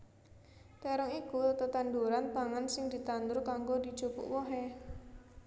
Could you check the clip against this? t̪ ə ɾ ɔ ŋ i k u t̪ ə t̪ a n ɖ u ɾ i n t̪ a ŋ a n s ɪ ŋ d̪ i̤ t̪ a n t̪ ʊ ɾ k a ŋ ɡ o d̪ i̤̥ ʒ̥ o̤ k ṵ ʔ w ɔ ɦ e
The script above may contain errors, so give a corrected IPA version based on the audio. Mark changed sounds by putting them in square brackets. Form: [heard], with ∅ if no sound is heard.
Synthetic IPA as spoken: t̪ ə ɾ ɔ ŋ i k u t̪ ə t̪ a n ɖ u ɾ [a] n t̪ a ŋ a n s ɪ ŋ d̪ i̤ t̪ a n [d̪] ʊ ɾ k a ŋ ɡ o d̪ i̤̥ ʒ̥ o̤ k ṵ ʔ w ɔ ɦ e